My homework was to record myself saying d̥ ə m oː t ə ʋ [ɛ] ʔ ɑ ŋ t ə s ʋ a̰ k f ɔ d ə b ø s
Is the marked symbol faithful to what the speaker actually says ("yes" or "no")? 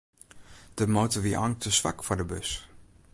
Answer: no